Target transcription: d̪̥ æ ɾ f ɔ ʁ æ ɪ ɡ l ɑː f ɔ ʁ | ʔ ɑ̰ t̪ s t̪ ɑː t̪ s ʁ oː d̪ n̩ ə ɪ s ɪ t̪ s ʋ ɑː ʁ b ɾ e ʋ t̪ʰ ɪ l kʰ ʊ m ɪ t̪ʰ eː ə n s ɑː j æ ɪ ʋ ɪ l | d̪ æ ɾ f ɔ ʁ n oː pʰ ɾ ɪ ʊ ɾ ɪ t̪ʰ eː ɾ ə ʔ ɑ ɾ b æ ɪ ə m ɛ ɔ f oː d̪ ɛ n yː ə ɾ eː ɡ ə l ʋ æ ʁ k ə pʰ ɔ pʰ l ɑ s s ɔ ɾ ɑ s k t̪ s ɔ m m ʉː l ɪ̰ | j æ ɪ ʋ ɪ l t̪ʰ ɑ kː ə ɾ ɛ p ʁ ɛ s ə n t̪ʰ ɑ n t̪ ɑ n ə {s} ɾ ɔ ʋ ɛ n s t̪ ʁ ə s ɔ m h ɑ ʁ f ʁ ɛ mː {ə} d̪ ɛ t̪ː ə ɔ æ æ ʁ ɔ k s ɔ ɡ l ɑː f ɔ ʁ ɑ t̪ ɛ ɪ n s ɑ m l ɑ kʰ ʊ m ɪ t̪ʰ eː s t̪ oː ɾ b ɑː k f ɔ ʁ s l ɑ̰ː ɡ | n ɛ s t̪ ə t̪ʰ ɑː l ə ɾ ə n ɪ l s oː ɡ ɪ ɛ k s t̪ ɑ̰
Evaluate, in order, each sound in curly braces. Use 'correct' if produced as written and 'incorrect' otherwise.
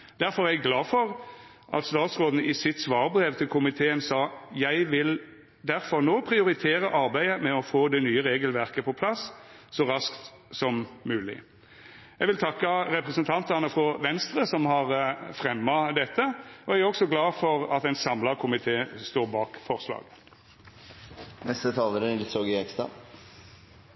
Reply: incorrect, incorrect

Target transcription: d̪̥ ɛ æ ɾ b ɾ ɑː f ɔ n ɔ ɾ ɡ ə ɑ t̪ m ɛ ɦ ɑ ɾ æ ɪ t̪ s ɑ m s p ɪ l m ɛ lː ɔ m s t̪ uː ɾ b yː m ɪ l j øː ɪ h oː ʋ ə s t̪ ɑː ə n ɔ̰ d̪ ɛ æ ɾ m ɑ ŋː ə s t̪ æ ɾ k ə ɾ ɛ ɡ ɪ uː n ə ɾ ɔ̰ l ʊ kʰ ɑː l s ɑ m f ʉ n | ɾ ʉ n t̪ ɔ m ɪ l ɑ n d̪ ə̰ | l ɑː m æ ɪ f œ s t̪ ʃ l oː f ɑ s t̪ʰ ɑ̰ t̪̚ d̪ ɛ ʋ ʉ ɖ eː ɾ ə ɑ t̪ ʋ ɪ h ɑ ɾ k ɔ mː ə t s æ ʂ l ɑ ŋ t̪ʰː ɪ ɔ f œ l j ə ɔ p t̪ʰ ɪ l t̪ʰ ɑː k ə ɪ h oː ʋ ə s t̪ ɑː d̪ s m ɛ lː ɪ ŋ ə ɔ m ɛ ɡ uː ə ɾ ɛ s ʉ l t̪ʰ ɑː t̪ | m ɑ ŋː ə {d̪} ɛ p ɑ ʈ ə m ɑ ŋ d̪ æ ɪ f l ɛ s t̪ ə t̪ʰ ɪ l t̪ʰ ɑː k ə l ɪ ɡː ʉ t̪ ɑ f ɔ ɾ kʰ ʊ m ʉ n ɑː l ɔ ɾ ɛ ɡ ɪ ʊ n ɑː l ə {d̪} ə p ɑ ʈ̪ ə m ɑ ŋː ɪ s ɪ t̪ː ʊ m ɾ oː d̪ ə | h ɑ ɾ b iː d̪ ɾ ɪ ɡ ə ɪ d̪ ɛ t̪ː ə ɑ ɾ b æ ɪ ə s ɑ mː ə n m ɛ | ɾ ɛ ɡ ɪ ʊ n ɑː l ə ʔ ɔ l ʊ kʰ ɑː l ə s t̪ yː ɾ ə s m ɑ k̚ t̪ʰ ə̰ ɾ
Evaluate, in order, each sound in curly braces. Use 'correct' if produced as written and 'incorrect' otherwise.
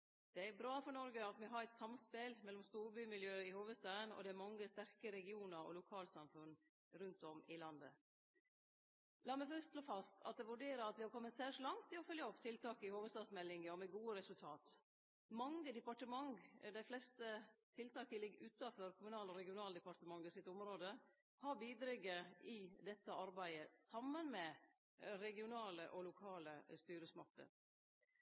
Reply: correct, correct

